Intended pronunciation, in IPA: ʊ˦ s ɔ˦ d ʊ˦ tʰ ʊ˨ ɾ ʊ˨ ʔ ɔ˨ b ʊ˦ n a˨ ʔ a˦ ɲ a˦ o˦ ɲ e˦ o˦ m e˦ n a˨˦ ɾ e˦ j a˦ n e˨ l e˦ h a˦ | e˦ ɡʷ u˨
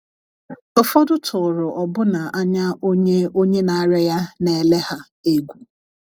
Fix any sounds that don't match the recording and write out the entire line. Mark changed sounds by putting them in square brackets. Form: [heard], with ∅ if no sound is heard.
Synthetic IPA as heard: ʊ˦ [f] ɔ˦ d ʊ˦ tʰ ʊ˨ ɾ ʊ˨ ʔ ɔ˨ b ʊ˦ n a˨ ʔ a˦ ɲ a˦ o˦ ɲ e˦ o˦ [ɲ] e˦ n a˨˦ ɾ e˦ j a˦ n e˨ l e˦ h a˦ | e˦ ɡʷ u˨

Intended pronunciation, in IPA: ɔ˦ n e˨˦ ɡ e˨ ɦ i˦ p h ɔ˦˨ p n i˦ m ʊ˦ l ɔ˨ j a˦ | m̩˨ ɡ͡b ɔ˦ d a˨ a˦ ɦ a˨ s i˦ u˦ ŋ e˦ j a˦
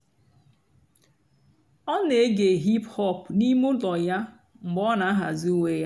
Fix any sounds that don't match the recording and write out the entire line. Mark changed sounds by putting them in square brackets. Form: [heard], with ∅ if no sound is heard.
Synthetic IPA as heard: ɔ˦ n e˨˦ ɡ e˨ ɦ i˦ p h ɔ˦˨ p n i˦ m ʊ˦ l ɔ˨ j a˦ | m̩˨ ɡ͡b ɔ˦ [n] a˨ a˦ ɦ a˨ [z] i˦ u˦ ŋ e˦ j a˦

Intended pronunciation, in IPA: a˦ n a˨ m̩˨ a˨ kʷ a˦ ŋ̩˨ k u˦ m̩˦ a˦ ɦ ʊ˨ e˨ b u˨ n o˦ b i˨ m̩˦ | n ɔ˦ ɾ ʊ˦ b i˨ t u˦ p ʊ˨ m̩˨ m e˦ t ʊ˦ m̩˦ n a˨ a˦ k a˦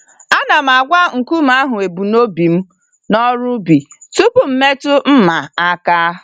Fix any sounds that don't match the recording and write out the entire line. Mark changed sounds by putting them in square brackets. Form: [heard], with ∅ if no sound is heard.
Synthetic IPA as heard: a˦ n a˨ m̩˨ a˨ [ɡʷ] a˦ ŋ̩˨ k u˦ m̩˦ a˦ ɦ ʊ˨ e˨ b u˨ n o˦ b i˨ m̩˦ | n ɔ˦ ɾ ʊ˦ b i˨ t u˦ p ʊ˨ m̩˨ m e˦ t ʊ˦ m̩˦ [m] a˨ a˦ k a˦

